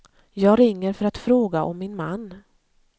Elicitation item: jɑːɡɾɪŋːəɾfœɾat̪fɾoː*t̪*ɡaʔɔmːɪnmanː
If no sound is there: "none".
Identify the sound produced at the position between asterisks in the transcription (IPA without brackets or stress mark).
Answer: none